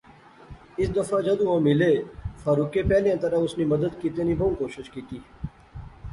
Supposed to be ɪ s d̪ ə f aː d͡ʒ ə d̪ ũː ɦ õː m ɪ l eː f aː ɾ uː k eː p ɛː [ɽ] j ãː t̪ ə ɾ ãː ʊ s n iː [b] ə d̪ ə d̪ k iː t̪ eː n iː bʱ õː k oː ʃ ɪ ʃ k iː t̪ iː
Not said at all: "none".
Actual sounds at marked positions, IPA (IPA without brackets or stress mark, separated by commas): l, m